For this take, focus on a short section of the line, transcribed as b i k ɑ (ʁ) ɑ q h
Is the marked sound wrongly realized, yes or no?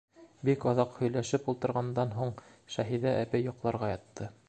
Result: yes